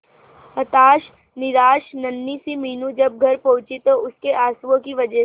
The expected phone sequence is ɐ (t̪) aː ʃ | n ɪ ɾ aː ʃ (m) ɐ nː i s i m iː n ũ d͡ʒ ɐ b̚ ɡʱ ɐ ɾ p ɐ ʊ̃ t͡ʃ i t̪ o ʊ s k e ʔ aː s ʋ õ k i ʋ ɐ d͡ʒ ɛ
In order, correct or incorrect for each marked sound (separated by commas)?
correct, incorrect